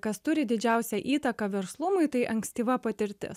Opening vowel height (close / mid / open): open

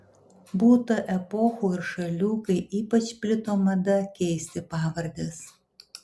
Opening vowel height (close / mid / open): close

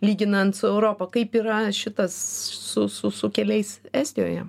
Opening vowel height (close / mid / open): close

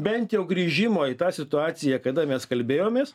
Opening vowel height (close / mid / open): mid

